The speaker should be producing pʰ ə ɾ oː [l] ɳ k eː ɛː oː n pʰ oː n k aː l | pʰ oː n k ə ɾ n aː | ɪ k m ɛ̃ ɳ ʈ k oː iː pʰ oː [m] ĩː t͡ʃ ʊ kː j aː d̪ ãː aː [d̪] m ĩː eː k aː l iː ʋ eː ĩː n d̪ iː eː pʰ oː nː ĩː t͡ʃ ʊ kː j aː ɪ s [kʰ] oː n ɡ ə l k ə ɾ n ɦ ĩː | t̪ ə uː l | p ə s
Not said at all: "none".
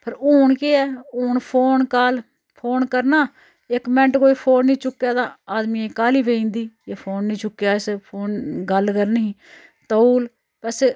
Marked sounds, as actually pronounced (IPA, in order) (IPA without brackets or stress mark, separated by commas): none, n, d̪, pʰ